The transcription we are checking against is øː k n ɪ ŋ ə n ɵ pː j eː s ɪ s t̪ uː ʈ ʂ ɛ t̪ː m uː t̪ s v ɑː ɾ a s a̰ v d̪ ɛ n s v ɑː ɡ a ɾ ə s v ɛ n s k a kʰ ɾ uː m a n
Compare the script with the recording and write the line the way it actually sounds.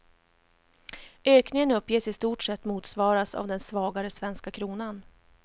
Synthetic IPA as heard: øː k n ɪ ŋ ə n ɵ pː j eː s ɪ s t̪ uː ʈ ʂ ɛ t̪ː m uː t̪ s v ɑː ɾ a s a̰ v d̪ ɛ n s v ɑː ɡ a ɾ ə s v ɛ n s k a kʰ ɾ uː n a n